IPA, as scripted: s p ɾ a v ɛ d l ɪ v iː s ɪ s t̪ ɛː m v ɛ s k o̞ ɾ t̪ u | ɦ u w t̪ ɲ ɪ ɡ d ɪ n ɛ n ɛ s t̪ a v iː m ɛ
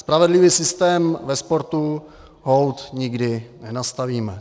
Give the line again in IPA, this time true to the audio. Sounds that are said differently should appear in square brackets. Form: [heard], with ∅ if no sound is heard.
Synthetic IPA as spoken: s p ɾ a v ɛ d l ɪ v iː s ɪ s t̪ ɛː m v ɛ s [p] o̞ ɾ t̪ u | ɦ [o] w t̪ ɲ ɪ ɡ d ɪ n ɛ n [a] s t̪ a v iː m ɛ